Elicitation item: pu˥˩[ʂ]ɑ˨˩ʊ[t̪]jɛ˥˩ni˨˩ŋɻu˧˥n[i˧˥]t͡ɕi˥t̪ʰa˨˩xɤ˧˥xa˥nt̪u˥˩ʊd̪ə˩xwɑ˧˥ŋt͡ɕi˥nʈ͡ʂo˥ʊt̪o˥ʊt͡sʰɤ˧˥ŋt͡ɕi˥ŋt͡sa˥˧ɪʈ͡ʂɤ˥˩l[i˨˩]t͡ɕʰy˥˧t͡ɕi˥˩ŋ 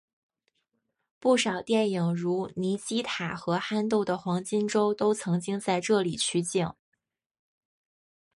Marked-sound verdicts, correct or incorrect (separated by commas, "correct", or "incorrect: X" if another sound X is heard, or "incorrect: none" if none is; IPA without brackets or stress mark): correct, correct, correct, correct